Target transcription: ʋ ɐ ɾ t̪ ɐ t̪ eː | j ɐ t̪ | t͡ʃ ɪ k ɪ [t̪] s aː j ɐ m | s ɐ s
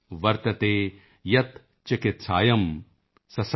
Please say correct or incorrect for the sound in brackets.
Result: correct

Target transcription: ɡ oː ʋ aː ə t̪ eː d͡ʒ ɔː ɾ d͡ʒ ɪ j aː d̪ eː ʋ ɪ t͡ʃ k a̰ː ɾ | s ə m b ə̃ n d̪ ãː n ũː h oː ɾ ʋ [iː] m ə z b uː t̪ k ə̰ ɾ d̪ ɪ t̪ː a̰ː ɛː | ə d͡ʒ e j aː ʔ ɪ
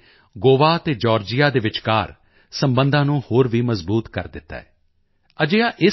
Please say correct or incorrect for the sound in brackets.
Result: correct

